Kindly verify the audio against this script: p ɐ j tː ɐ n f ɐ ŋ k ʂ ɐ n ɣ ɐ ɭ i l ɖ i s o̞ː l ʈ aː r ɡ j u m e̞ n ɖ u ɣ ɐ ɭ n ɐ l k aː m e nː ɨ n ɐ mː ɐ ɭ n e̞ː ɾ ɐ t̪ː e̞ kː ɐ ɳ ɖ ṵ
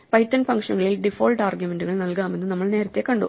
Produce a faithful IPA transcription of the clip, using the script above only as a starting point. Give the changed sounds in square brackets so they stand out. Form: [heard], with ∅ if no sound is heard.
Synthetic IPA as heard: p ɐ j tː ɐ n f ɐ ŋ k ʂ ɐ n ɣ ɐ ɭ i l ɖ i [f] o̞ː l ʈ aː r ɡ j u m e̞ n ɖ u ɣ ɐ ɭ n ɐ l k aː m e nː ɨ n ɐ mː ɐ ɭ n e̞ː ɾ ɐ t̪ː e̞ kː ɐ ɳ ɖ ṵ

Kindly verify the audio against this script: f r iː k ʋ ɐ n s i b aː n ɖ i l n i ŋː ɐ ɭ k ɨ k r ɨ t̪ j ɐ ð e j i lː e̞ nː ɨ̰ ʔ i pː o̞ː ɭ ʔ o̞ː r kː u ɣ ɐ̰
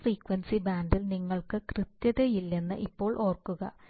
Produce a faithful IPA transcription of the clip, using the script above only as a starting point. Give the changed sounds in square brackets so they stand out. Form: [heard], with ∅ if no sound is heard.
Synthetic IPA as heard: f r iː k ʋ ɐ n s i b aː n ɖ i l n i ŋː ɐ ɭ k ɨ k r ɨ t̪ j ɐ ð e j i lː e̞ nː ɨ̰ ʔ i pː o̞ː ɭ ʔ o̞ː r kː u ɣ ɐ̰

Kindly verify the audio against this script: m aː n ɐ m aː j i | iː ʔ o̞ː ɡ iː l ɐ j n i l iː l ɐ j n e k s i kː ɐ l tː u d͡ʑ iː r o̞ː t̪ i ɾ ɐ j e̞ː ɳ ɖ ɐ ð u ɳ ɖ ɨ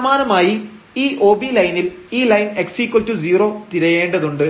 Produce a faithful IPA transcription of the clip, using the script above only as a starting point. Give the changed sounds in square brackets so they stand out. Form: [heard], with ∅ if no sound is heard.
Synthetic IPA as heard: m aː n ɐ m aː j i | iː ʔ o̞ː [b] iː l ɐ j n i l iː l ɐ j n e k s i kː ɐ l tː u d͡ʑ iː r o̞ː t̪ i ɾ ɐ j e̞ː ɳ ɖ ɐ ð u ɳ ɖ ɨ

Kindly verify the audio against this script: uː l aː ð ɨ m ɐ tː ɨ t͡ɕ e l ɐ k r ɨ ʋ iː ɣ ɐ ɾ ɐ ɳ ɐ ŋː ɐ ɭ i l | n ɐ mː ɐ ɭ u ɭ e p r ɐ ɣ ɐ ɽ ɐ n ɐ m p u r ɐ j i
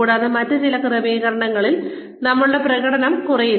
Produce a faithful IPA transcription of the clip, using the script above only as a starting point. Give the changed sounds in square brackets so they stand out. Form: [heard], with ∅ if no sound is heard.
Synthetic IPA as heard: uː [ɽ] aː ð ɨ m ɐ tː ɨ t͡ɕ [i] l ɐ k r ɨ ʋ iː ɣ ɐ ɾ ɐ ɳ ɐ ŋː ɐ ɭ i l | n ɐ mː ɐ ɭ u [ɽ] e p r ɐ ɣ ɐ ɽ ɐ n ɐ m [k] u r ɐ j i

